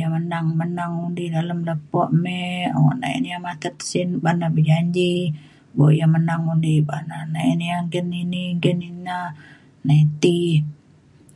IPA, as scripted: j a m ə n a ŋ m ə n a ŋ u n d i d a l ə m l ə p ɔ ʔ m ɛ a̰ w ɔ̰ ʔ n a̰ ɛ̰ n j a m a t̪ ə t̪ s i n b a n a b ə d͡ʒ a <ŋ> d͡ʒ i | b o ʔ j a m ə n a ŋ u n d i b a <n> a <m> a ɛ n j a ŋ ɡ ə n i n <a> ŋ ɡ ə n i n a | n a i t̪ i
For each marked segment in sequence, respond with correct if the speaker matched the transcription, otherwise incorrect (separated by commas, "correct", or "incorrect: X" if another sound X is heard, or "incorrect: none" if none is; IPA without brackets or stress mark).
incorrect: ɲ, correct, incorrect: n, incorrect: i